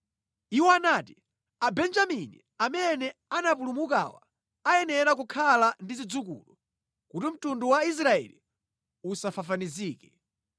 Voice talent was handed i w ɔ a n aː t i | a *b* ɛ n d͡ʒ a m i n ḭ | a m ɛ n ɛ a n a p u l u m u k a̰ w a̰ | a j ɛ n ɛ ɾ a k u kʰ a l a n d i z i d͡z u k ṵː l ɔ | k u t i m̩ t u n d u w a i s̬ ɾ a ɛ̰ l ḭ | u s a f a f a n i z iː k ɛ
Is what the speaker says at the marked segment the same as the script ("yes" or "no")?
yes